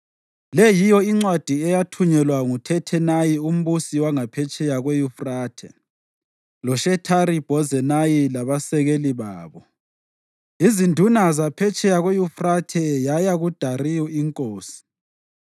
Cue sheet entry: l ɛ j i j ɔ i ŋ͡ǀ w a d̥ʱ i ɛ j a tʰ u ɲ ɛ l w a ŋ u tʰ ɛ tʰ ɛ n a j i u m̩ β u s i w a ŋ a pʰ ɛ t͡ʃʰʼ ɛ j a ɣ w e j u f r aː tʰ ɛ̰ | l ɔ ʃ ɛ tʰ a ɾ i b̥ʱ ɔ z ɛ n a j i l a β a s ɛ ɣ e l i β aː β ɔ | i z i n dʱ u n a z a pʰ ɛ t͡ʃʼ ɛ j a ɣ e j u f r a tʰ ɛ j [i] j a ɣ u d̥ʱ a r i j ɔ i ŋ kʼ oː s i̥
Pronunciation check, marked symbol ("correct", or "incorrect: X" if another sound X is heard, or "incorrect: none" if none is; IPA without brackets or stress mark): incorrect: a